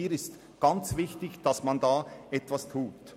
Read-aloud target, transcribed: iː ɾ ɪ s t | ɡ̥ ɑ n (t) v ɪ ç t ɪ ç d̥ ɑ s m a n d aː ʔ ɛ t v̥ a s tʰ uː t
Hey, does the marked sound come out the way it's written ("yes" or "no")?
no